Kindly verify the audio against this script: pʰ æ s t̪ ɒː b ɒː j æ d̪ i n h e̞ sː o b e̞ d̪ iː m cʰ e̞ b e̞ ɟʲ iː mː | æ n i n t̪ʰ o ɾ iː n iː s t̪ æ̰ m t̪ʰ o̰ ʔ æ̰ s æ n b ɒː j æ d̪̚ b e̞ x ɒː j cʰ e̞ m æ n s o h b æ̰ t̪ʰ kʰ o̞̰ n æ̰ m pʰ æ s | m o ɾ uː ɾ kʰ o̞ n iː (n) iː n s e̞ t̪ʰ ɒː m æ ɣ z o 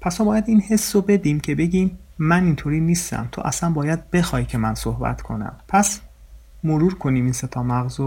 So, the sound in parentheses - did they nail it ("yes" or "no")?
no